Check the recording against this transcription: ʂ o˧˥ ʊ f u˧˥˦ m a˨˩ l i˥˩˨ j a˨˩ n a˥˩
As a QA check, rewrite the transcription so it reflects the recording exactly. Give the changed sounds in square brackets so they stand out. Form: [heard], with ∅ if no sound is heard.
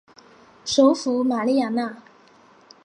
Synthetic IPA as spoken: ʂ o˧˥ ʊ f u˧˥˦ m a˨˩ l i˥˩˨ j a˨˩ n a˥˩